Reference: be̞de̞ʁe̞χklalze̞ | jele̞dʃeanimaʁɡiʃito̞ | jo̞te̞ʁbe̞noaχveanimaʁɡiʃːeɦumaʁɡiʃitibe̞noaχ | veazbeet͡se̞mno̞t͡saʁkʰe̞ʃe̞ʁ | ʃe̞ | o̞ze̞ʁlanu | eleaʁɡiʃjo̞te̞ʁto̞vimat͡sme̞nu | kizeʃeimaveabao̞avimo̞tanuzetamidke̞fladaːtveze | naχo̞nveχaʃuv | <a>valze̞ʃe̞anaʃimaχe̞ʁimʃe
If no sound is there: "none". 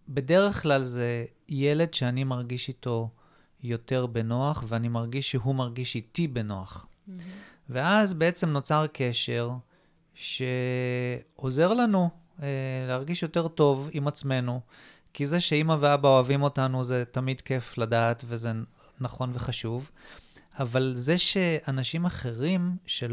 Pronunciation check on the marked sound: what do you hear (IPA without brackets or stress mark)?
a